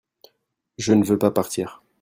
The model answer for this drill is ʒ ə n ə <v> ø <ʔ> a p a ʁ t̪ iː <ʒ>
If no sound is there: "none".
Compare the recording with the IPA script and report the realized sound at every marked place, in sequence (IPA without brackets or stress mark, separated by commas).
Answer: v, p, ʁ